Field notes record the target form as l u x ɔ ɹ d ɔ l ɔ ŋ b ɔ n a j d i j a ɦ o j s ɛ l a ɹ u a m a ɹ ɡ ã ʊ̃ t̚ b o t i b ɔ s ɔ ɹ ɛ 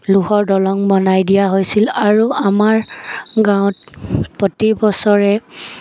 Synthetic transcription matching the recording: l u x ɔ ɹ d ɔ l ɔ ŋ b ɔ n a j d i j a ɦ o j s i l a ɹ u a m a ɹ ɡ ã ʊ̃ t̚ p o t i b ɔ s ɔ ɹ ɛ

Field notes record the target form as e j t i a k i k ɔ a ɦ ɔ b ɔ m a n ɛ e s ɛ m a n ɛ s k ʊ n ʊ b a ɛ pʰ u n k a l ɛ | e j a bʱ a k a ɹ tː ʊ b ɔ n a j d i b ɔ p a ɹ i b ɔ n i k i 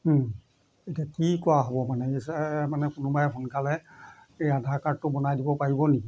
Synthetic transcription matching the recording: e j t i a k i k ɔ a ɦ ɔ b ɔ m a n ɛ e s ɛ m a n ɛ k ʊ n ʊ b a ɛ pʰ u n k a l ɛ | e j a dʱ a k a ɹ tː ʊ b ɔ n a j d i b ɔ p a ɹ i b ɔ n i k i

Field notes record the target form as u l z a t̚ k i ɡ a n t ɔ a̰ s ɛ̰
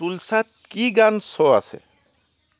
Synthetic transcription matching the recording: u l s a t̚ k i ɡ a n s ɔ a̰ s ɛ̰

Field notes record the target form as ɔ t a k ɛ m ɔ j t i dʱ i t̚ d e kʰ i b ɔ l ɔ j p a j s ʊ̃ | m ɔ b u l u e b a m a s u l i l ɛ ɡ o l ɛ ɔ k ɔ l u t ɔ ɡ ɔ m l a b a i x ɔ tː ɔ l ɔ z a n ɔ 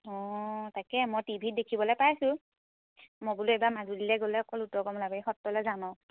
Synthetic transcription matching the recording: ɔ t a k ɛ m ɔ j t i bʱ i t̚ d e kʰ i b ɔ l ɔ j p a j s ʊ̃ | m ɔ b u l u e b a m a z u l i l ɛ ɡ o l ɛ ɔ k ɔ l u t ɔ ɡ ɔ m l a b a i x ɔ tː ɔ l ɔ z a n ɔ

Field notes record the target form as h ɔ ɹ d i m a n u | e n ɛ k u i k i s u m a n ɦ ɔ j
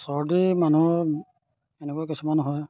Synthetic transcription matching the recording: s ɔ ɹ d i m a n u | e n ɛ k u a k i s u m a n ɦ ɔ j

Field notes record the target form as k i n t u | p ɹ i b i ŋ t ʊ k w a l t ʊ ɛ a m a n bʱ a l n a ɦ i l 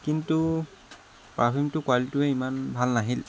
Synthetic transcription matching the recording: k i n t u | p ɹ a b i m t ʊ k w a l t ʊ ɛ i m a n bʱ a l n a ɦ i l

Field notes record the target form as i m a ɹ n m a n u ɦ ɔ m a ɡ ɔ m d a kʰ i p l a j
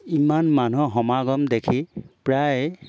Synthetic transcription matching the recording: i m a n m a n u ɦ ɔ m a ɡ ɔ m d e kʰ i p ɹ a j

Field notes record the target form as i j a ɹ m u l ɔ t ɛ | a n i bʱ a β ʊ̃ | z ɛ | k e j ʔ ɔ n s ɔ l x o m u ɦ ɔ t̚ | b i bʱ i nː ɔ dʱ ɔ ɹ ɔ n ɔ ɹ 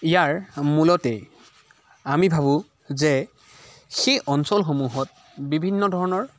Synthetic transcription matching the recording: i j a ɹ m u l ɔ t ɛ | a m i bʱ a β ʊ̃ | z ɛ | x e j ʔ ɔ n s ɔ l x o m u ɦ ɔ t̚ | b i bʱ i nː ɔ dʱ ɔ ɹ ɔ n ɔ ɹ

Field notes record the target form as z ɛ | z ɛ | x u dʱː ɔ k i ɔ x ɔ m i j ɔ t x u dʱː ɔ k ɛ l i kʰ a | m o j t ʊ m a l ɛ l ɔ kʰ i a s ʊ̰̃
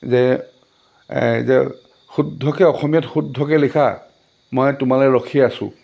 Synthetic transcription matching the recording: z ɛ | z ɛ | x u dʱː ɔ k ɛ ɔ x ɔ m i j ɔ t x u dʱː ɔ k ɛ l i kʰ a | m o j t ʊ m a l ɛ ɹ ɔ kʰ i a s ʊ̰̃

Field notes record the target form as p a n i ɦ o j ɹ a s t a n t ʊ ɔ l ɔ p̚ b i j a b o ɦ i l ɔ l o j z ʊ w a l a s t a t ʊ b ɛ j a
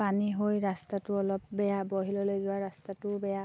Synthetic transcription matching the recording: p a n i ɦ o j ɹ a s t a t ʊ ɔ l ɔ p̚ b ɛ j a b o ɦ i l ɔ l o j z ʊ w a ɹ a s t a t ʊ b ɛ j a

